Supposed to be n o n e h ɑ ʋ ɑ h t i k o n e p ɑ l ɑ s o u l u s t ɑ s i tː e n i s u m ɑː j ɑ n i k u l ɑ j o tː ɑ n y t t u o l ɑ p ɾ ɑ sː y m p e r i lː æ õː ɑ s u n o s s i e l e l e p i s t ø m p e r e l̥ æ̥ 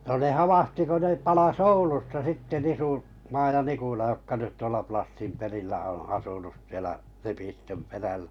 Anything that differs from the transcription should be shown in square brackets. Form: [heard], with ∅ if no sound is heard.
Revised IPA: n o n e h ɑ ʋ ɑ h t i k o n e p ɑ l ɑ s o u l u s t ɑ s i tː e n i s u m ɑː j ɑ n i k u l ɑ j o [kː] ɑ n y t t u o l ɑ p [l] ɑ sː [i] m p e r i lː æ õː ɑ s u n [u] s s i e l [æ] l e p i s t ø m p e r [æ] l̥ æ̥

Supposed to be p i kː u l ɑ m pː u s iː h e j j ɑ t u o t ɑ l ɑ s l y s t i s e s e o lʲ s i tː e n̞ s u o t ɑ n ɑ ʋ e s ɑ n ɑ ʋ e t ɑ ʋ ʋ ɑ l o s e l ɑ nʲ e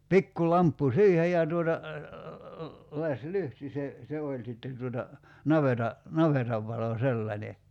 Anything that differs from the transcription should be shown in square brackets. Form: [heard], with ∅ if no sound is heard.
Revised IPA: p i kː u l ɑ m pː u s iː h e j j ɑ t u o t ɑ l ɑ s l y [h] t i s e s e o lʲ s i tː e n̞ [t] u o t ɑ n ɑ ʋ e [t] ɑ n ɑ ʋ e t ɑ ʋ ʋ ɑ l o s e [lː] ɑ nʲ e

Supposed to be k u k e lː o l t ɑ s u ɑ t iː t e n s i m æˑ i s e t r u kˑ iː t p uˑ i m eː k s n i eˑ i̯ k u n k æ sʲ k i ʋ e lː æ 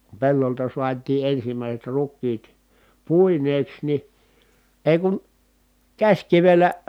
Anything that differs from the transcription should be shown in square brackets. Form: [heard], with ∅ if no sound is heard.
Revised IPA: k u [p] e lː o l t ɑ s u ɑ t iː [ʔ] e n s i m æˑ i s e t r u kˑ iː t p uˑ i [n] eː k s n i eˑ i̯ k u n k æ sʲ k i ʋ e lː æ

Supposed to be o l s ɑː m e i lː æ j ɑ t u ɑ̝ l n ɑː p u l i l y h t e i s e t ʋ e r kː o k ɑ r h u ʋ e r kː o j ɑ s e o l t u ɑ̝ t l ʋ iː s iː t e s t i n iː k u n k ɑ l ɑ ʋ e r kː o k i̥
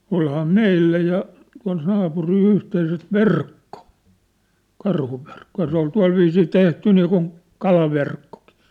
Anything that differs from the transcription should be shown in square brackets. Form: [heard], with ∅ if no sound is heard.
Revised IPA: o l [h] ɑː m e i lː æ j ɑ t u ɑ̝ l n ɑː p u [r] i l y h t e i s e t ʋ e r kː o k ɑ r h u ʋ e r kː o j ɑ s e o l t u ɑ̝ [∅] l ʋ iː s iː t e [h] t [y] n iː k u n k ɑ l ɑ ʋ e r kː o k i̥

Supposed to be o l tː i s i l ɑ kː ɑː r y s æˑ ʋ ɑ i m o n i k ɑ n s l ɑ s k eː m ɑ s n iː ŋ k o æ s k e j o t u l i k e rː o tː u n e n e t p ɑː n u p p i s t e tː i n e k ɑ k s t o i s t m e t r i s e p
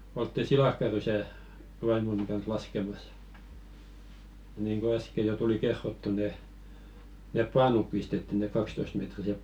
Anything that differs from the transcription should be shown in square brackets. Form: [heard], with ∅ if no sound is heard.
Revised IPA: o l tː i s i l ɑ kː [ɑ] r y s æˑ ʋ ɑ i m o n i k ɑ n s l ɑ s k [e] m ɑ s n iː ŋ k o æ s k e j o t u l i k e rː o tː u n e n e [p] p ɑː n u p p i s t e tː i n e k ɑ k s t o i s t m e t r i s e p

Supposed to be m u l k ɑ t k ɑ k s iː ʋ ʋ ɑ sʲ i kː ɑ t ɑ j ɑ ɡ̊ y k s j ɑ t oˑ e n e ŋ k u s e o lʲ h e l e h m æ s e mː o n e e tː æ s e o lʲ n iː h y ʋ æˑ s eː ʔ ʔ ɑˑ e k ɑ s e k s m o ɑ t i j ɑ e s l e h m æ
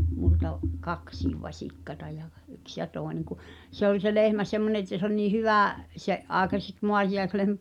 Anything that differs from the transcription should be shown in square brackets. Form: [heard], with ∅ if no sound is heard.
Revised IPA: m u l [t] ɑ [ʔ] k ɑ k s iː ʋ ʋ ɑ sʲ i kː ɑ t ɑ j ɑ ɡ̊ y k s j ɑ t oˑ e n e ŋ k u s e o lʲ [s] e l e h m æ s e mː o n e e tː æ s e o lʲ n iː h y ʋ æˑ s [e] ʔ ʔ ɑˑ e k ɑ s e k s m o ɑ t i j ɑ e s l e h m æ

